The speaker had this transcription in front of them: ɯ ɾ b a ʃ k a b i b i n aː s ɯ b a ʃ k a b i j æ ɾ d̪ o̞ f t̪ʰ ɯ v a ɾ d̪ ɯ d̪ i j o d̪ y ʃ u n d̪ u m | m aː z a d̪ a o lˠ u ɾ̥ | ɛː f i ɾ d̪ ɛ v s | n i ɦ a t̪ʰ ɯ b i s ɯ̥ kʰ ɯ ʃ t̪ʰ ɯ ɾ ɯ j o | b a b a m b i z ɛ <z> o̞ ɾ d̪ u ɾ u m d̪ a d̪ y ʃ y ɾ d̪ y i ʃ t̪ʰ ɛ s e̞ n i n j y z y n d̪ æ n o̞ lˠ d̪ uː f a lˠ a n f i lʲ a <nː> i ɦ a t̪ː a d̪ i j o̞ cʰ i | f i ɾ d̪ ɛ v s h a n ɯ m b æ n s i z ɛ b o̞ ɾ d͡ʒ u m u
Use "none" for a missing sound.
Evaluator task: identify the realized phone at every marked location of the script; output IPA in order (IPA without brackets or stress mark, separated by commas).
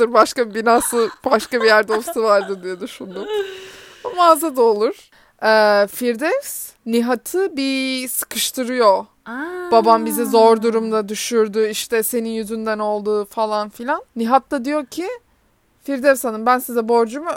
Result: z, nː